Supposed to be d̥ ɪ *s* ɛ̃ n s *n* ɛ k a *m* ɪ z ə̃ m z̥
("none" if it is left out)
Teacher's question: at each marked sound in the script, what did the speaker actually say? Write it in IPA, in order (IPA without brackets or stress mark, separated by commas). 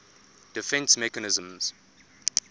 f, m, n